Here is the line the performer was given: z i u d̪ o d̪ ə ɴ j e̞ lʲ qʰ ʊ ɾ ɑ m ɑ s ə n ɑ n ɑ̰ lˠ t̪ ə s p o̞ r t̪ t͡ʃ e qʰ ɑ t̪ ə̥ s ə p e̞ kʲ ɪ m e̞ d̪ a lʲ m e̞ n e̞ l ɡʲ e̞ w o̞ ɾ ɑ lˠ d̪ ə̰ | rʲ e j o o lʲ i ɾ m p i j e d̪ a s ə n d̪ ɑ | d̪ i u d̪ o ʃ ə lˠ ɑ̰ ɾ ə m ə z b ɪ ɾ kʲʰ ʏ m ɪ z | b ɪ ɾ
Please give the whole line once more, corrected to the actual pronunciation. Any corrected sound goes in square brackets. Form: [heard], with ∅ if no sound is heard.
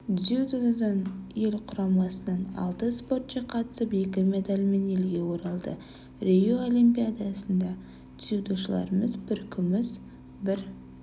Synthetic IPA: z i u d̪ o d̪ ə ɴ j e̞ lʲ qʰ ʊ ɾ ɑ m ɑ s ə n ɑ n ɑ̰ lˠ t̪ ə s p o̞ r t̪ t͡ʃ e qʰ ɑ t̪ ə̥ s ə p e̞ kʲ ɪ m e̞ d̪ a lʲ m e̞ n e̞ l ɡʲ e̞ w o̞ ɾ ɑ lˠ d̪ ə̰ | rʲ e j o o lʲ i [∅] m p i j [a] d̪ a s ə n d̪ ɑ | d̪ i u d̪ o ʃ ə lˠ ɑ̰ ɾ ə m ə z b ɪ ɾ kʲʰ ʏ m ɪ z | b ɪ ɾ